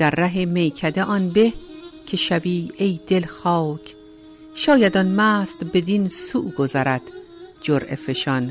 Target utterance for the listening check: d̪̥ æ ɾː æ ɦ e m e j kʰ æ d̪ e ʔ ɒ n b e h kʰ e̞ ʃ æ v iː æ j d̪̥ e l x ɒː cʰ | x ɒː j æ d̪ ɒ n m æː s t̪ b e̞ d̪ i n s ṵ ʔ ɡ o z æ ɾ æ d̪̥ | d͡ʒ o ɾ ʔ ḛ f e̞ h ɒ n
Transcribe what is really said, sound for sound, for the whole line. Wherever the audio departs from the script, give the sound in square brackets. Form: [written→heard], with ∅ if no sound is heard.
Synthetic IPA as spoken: d̪̥ æ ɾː æ ɦ e m e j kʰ æ d̪ e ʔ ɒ n b e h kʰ e̞ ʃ æ v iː [æ→e] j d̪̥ e l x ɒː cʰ | [x→ʃ] ɒː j æ d̪ ɒ n m æː s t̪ b e̞ d̪ i n s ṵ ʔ ɡ o z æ ɾ æ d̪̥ | d͡ʒ o ɾ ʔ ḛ f e̞ [h→ʃ] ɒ n